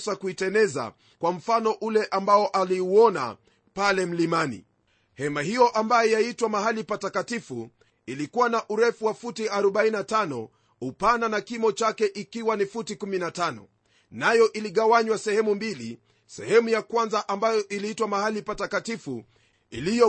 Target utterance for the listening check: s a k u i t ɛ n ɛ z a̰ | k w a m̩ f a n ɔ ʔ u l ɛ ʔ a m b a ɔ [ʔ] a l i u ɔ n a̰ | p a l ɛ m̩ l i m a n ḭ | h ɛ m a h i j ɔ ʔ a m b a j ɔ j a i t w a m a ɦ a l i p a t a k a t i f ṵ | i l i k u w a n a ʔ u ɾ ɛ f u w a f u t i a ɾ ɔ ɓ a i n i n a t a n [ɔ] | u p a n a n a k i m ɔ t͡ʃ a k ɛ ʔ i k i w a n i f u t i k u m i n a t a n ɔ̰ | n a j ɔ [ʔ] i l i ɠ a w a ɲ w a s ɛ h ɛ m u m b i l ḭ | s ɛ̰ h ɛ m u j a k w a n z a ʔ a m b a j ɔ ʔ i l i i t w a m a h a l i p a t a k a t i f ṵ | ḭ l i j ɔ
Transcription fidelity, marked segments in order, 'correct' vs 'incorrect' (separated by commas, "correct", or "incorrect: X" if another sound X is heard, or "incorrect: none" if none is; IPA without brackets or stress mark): correct, correct, correct